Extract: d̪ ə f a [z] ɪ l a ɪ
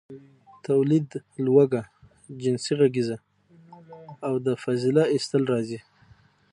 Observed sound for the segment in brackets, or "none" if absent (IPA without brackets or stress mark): z